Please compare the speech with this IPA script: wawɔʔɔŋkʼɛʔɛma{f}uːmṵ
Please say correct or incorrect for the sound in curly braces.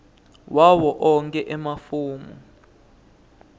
correct